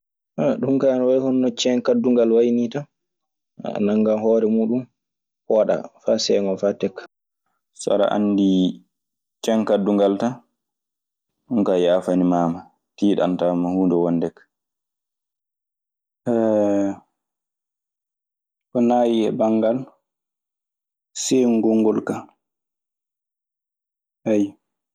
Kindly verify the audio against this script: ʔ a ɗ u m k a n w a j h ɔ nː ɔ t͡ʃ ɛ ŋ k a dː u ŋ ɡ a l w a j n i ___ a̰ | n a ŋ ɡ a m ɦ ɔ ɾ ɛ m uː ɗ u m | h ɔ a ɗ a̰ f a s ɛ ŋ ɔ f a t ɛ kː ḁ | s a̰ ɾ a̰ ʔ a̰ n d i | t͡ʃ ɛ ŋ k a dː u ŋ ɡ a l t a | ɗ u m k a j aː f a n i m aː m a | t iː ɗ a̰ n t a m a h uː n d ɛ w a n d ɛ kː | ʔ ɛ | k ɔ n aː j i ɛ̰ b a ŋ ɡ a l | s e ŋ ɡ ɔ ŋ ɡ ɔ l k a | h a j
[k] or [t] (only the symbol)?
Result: t